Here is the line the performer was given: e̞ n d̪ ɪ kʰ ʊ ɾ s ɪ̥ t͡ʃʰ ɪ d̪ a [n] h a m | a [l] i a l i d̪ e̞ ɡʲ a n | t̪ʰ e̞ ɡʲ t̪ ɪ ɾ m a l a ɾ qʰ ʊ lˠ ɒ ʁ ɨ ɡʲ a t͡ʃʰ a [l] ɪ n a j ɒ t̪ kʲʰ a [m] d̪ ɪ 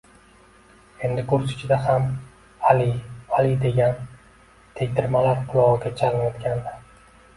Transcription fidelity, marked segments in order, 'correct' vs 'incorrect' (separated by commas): incorrect, correct, correct, incorrect